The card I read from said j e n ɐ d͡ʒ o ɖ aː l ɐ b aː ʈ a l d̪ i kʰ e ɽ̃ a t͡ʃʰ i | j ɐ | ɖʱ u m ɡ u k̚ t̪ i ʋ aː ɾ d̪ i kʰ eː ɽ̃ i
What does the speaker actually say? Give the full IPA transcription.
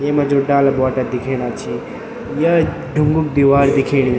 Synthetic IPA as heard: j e m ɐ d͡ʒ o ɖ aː l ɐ b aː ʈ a d̪ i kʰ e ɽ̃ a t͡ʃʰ i | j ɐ | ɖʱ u ŋ ɡ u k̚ d̪ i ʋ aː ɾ d̪ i kʰ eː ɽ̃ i

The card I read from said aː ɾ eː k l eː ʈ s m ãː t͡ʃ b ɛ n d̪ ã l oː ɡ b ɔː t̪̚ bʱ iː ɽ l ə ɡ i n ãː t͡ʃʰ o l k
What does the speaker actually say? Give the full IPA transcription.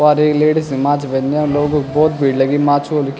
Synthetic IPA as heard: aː ɾ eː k l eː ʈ s m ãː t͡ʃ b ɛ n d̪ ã l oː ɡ b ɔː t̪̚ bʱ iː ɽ l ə ɡ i m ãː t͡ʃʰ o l k

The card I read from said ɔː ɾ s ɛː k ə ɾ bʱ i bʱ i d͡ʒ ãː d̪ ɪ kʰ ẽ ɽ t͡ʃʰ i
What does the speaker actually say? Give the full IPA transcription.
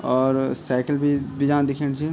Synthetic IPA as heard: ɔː ɾ s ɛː k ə l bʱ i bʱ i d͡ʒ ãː d̪ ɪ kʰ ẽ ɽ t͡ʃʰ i

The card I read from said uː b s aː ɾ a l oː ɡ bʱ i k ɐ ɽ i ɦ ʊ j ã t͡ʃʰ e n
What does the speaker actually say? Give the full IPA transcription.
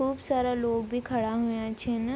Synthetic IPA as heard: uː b s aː ɾ a l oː ɡ bʱ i kʰ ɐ ɽ a ɦ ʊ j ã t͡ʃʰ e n

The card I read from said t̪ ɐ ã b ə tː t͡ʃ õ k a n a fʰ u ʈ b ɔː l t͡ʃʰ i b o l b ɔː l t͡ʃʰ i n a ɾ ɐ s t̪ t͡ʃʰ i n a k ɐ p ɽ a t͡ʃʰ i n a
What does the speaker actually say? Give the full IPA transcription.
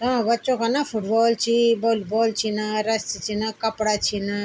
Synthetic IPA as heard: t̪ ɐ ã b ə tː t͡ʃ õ k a n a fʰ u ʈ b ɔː l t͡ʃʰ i b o l b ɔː l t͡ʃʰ i n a ɾ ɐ s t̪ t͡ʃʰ i n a k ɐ p ɽ a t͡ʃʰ i n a

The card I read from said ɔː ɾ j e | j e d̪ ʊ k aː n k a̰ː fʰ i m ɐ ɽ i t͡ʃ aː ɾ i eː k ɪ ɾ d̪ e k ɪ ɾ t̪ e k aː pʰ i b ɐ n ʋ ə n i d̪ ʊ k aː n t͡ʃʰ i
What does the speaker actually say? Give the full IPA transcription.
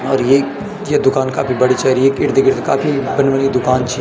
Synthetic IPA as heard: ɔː ɾ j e | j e d̪ ʊ k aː n k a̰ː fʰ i b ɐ ɽ i t͡ʃ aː ɾ i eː k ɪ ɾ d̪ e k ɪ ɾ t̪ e k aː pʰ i b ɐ n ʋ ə n i d̪ ʊ k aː n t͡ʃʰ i

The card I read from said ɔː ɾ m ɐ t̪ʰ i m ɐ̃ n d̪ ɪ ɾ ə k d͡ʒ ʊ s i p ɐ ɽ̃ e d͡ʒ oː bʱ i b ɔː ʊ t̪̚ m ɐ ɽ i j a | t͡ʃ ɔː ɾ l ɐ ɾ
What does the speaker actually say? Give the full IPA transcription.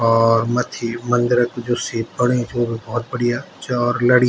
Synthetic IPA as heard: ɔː ɾ m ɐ t̪ʰ i m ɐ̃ n d̪ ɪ ɾ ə k d͡ʒ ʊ s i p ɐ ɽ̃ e d͡ʒ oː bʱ i b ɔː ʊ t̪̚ b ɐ ɽ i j a | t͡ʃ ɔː ɾ l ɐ ɽ

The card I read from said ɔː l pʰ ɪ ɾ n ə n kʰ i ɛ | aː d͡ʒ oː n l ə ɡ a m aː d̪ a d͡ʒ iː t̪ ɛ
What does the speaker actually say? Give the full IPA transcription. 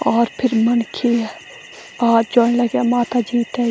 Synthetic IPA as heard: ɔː ɾ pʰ ɪ ɾ m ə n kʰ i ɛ | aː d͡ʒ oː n l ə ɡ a m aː t̪ a d͡ʒ iː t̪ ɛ

